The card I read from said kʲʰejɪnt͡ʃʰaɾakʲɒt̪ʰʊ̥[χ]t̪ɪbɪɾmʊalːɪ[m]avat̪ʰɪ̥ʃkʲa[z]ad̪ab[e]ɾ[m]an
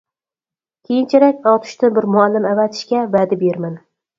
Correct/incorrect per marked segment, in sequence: incorrect: ʃ, correct, incorrect: v, correct, correct

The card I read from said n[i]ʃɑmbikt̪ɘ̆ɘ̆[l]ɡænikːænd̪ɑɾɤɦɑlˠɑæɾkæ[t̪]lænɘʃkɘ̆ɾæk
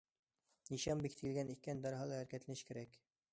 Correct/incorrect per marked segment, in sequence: correct, correct, correct

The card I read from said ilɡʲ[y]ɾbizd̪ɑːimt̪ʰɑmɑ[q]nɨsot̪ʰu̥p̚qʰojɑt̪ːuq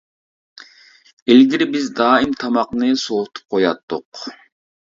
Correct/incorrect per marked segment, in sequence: incorrect: i, correct

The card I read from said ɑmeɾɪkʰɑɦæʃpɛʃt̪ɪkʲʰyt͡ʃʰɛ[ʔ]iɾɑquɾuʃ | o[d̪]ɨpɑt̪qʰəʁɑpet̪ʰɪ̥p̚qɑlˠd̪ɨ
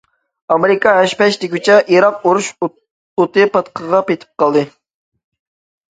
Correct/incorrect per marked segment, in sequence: correct, incorrect: t̪

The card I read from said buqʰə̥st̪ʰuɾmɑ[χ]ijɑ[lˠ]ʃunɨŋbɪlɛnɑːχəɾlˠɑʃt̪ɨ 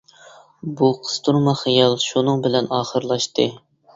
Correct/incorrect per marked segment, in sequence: correct, correct

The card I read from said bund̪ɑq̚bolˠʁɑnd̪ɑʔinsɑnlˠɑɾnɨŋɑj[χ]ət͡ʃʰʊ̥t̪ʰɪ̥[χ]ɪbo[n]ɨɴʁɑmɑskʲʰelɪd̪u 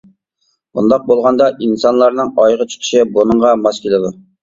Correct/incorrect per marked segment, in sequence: incorrect: ʁ, incorrect: ʃ, correct

